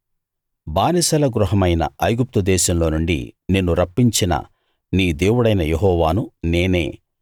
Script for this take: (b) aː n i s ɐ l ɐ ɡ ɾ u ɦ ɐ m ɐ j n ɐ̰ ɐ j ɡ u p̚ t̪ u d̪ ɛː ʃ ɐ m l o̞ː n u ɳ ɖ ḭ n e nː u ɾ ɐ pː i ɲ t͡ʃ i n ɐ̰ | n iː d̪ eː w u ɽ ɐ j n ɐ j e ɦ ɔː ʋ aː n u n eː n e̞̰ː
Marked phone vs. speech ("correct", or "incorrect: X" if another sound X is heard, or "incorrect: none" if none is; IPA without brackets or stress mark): correct